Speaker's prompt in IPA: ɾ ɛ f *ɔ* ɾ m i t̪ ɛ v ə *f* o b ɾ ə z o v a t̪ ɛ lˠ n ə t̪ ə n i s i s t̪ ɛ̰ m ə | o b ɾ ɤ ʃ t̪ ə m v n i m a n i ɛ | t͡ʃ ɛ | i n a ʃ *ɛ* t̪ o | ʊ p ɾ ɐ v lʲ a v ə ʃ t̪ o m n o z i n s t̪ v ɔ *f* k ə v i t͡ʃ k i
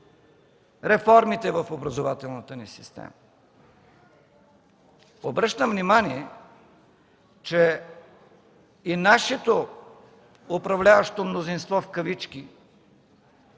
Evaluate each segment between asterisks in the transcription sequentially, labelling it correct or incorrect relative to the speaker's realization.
correct, correct, correct, correct

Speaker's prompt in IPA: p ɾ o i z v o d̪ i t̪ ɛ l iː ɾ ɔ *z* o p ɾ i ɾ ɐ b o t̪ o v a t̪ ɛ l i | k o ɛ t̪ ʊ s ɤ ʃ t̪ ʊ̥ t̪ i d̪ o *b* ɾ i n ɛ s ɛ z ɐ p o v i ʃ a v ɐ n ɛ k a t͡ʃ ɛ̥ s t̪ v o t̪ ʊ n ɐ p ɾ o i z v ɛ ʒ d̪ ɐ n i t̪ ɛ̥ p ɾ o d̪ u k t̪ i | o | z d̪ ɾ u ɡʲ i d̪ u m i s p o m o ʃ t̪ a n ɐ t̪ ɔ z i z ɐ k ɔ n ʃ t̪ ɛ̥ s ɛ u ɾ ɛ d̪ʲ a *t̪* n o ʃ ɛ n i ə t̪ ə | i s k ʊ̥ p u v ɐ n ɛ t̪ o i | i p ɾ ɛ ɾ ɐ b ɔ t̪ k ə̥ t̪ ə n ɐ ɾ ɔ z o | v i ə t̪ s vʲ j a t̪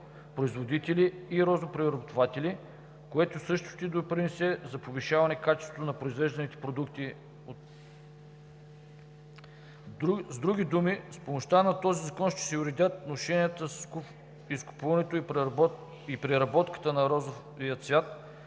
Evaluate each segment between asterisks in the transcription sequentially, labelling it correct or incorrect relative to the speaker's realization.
correct, incorrect: p, correct

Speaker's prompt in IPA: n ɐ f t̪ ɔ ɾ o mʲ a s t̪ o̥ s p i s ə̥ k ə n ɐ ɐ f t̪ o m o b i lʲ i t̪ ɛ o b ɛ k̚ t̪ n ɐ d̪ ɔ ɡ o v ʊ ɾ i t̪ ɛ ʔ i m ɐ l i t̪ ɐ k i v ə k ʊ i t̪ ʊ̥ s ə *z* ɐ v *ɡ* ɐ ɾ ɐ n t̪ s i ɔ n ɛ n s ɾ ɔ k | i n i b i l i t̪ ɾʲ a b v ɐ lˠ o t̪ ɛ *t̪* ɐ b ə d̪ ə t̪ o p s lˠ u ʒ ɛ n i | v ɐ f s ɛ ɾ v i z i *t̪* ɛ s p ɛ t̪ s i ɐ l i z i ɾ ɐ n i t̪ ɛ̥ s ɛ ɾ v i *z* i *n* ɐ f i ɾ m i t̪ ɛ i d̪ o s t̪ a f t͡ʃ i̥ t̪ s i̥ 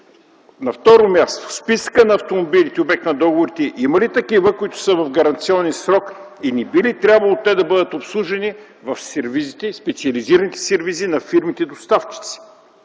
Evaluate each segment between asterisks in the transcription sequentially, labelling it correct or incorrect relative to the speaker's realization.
incorrect: v, correct, incorrect: d̪, correct, correct, correct

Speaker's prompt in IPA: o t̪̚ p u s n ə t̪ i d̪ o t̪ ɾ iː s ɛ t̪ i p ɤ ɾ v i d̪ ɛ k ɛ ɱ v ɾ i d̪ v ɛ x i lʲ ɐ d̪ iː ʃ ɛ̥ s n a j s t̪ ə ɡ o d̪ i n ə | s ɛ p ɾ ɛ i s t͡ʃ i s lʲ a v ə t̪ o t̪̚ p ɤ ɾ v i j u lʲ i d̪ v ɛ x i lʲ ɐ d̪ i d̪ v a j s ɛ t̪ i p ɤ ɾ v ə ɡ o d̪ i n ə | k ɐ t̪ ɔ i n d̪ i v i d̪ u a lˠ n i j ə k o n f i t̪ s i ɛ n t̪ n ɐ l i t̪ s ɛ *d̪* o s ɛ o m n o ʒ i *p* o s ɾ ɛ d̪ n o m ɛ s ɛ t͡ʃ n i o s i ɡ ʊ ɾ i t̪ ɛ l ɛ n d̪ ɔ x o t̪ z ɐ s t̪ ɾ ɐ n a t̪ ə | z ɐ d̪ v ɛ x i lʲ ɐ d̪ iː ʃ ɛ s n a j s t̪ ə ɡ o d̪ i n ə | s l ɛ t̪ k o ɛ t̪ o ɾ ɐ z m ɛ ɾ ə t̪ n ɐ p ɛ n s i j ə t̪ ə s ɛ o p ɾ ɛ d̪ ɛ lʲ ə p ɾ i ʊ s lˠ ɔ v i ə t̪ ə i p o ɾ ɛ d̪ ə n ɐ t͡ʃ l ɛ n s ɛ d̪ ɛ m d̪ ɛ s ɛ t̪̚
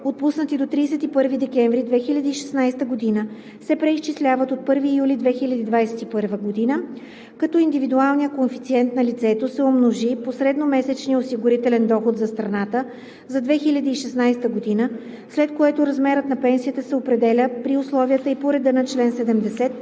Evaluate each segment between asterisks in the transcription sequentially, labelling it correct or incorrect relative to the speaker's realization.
incorrect: t̪, correct

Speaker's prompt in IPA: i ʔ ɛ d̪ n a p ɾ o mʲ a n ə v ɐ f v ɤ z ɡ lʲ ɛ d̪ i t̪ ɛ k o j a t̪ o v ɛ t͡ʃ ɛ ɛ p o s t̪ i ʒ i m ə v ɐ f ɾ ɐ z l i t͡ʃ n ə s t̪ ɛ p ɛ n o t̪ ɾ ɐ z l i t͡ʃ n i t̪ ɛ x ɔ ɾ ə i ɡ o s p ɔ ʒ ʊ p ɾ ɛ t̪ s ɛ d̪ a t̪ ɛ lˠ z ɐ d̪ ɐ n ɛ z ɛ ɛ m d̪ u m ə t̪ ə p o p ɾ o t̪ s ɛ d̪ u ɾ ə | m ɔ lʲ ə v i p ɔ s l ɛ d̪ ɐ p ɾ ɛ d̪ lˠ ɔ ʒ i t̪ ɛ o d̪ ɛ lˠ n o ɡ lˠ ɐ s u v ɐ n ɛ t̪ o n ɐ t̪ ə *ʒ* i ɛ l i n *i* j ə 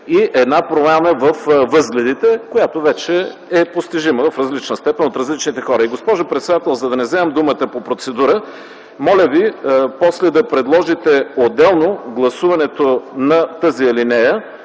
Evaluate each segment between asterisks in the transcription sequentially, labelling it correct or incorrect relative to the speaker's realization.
incorrect: z, incorrect: ɛ

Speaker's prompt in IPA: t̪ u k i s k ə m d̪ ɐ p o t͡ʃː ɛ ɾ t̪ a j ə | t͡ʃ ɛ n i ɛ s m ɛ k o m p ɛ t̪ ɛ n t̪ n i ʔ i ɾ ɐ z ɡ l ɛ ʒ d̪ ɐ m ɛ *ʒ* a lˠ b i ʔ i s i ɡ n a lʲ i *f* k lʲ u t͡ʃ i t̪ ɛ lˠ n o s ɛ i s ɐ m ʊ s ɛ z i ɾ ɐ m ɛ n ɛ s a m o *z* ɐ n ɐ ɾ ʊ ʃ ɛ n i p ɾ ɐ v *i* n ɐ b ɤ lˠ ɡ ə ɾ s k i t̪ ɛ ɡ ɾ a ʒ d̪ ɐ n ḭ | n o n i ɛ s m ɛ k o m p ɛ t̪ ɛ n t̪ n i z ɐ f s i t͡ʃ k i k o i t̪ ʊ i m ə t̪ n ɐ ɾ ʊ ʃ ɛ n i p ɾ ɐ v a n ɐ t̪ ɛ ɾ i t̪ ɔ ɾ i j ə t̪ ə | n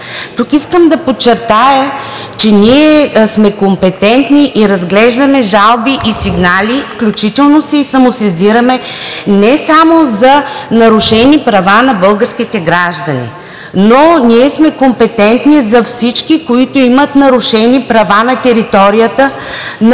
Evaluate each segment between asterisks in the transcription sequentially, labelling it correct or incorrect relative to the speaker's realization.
correct, correct, correct, incorrect: a

